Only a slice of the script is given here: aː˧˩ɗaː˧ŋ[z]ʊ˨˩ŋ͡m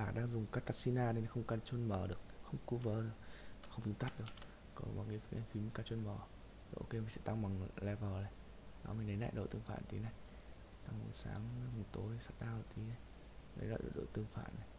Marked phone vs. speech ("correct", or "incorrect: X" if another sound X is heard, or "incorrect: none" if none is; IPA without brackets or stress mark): correct